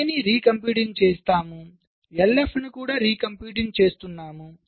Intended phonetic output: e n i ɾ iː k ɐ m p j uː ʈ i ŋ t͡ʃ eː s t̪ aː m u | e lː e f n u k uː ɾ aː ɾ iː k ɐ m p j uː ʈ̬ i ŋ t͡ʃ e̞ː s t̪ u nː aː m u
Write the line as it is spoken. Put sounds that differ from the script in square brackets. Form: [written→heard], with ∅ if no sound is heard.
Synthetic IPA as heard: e n i ɾ iː k ɐ m p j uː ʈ i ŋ t͡ʃ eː s t̪ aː m u | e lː e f n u k uː [ɾ→ɽ] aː ɾ iː k ɐ m p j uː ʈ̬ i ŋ t͡ʃ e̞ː s t̪ u nː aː m u